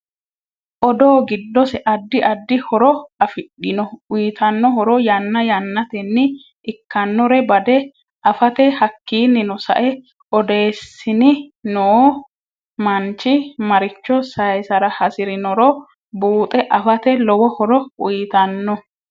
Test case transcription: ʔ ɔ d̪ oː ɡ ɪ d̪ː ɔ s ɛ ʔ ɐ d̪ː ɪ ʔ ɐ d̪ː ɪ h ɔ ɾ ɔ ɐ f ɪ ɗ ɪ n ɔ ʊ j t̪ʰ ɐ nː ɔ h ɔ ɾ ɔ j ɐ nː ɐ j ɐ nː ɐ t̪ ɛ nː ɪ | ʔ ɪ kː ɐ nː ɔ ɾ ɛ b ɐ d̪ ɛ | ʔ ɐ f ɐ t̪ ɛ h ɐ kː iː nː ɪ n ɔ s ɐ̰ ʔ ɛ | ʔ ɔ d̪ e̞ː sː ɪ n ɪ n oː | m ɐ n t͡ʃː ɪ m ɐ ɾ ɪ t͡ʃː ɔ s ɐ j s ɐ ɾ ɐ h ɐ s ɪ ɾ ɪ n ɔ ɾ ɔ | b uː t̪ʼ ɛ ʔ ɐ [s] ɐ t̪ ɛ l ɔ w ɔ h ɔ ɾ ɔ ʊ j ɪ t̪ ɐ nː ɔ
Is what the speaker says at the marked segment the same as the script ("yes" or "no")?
no